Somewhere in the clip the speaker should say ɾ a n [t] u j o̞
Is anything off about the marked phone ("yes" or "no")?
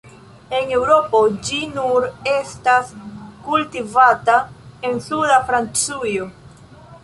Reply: yes